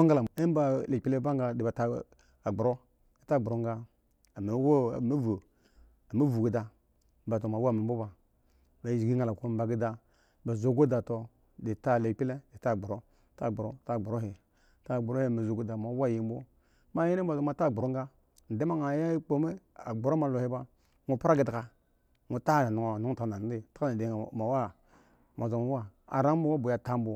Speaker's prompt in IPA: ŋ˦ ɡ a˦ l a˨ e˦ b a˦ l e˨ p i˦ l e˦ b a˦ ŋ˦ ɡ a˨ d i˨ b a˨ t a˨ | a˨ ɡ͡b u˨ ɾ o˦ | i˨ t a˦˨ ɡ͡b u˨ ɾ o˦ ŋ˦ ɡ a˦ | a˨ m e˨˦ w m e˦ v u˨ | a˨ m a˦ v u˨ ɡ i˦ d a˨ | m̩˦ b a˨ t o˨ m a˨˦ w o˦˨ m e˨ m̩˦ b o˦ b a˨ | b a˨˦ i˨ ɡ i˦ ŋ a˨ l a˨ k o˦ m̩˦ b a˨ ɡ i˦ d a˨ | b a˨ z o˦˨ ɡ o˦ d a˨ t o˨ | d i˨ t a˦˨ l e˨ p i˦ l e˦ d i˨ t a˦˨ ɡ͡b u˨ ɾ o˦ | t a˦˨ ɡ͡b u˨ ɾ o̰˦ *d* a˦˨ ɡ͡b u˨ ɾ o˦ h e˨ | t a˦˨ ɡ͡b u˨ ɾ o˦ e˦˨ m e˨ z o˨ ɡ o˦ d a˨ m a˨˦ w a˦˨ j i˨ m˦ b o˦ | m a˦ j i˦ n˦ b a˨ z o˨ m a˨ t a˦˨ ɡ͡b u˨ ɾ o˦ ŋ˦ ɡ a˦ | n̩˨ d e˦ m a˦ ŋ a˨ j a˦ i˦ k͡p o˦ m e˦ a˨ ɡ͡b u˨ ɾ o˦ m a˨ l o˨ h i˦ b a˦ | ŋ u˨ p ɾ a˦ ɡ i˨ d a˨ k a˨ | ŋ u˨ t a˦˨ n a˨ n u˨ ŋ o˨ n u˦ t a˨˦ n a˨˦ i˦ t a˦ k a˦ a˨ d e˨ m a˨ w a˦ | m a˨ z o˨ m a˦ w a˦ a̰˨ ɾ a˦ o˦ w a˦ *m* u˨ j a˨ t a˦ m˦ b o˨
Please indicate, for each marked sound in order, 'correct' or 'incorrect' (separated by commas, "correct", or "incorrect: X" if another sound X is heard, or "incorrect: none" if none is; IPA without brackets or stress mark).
incorrect: t, incorrect: b